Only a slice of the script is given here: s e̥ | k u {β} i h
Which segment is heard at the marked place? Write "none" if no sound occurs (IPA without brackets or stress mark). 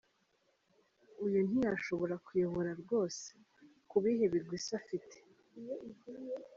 β